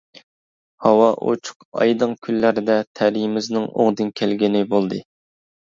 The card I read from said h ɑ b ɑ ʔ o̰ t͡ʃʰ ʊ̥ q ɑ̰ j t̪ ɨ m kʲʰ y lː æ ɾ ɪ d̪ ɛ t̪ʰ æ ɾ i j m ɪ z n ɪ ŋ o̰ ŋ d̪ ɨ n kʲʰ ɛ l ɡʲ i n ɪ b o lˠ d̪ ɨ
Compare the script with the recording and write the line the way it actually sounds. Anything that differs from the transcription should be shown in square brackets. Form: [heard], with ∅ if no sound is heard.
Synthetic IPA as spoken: h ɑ [w] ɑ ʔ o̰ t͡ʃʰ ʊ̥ q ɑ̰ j [d̪] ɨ [ŋ] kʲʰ y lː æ ɾ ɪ d̪ ɛ t̪ʰ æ ɾ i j m ɪ z n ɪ ŋ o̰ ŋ d̪ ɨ n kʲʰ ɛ l ɡʲ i n ɪ b o lˠ d̪ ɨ